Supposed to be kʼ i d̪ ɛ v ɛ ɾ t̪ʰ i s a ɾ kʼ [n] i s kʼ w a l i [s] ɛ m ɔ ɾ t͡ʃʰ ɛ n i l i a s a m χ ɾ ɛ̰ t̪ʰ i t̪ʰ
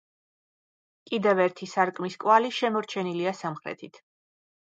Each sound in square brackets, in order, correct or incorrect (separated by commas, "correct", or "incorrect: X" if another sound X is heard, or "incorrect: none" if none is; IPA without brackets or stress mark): incorrect: m, incorrect: ʃ